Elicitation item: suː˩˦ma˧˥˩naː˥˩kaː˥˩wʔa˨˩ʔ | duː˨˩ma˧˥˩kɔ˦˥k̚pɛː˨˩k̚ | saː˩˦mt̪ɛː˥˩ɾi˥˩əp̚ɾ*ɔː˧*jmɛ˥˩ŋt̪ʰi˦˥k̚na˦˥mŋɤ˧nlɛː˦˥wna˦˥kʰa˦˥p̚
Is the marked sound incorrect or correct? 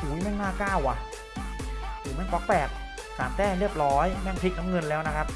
incorrect